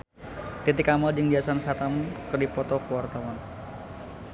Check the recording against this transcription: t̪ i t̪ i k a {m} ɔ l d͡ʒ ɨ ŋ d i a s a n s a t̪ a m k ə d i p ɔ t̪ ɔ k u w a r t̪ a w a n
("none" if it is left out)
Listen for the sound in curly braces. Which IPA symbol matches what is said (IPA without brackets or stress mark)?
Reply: m